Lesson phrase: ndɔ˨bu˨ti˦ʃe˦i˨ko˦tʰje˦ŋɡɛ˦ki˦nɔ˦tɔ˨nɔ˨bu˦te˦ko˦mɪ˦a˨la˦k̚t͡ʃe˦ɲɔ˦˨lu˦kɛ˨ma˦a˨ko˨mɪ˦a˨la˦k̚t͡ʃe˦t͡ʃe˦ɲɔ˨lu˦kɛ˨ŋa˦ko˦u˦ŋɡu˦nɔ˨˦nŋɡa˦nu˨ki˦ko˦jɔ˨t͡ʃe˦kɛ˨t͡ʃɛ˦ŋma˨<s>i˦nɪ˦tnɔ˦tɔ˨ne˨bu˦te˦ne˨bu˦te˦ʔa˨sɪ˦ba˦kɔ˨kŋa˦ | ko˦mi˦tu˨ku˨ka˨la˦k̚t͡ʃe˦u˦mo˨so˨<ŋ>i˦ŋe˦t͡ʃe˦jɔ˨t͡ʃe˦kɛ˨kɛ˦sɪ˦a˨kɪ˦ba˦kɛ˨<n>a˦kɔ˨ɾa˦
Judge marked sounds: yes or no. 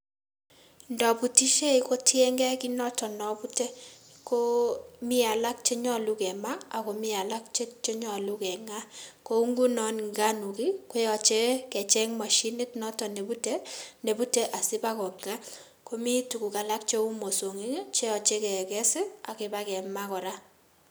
no, yes, no

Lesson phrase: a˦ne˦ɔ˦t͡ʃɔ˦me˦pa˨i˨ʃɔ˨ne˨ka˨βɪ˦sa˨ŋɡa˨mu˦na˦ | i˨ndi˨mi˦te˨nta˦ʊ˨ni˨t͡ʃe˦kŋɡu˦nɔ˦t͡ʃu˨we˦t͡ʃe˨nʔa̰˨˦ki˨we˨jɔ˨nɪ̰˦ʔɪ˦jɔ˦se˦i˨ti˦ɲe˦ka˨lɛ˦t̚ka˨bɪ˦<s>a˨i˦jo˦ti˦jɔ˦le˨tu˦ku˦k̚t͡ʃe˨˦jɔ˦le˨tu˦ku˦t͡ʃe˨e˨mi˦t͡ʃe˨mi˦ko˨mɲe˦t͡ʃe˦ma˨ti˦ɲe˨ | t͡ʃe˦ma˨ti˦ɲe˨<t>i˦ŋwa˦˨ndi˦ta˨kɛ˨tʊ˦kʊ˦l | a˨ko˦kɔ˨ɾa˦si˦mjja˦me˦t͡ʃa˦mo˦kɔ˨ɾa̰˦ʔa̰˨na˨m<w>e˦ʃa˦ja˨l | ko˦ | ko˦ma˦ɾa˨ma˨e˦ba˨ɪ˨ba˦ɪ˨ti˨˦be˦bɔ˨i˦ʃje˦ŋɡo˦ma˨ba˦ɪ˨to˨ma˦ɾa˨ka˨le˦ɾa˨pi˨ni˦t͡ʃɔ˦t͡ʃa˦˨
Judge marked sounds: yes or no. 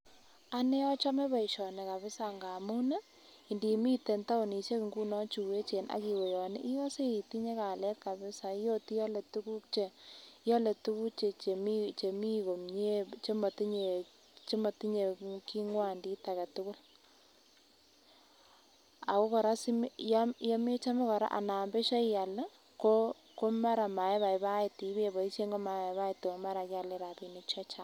yes, no, no

